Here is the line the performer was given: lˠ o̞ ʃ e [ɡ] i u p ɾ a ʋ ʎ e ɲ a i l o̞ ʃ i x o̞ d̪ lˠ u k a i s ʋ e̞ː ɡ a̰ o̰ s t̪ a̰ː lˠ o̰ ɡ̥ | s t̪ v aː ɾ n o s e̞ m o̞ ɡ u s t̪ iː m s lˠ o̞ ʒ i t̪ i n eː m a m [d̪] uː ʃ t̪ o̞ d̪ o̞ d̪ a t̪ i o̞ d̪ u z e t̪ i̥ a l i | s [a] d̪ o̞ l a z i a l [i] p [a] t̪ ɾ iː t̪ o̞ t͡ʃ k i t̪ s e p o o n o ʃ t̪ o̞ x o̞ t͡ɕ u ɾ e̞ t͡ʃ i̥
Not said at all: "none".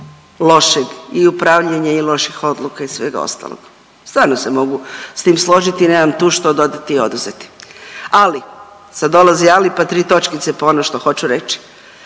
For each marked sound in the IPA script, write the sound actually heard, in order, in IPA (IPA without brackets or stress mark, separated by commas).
ɡ, t̪, a, i, a